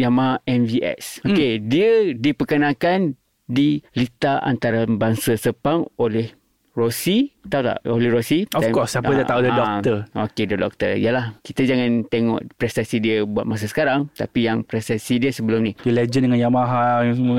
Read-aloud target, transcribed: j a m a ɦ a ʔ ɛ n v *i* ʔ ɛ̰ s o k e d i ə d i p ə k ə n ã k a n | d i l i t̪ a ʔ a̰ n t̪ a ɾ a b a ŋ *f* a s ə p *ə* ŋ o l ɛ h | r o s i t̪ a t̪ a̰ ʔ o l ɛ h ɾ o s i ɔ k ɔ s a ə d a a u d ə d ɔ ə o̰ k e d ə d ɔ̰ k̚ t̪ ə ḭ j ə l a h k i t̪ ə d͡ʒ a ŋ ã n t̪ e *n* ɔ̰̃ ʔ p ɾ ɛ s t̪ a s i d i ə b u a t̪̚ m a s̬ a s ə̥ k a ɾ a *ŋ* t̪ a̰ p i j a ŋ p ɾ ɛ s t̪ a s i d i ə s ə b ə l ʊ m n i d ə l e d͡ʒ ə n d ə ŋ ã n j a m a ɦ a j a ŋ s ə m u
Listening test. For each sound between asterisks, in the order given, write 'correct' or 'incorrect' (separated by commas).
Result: correct, incorrect, incorrect, incorrect, correct